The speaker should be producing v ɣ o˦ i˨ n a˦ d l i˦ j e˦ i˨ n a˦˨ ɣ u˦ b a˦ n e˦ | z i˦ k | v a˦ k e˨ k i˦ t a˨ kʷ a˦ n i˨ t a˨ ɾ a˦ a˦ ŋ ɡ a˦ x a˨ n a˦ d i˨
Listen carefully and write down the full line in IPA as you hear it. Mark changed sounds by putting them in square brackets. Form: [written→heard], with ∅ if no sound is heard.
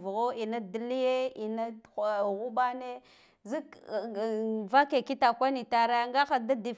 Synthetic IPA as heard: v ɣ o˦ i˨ n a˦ d l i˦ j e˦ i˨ n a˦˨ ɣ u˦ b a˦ n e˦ | z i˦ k | v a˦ k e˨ k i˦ t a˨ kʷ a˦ n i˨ t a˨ ɾ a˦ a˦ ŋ ɡ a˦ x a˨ [n→d] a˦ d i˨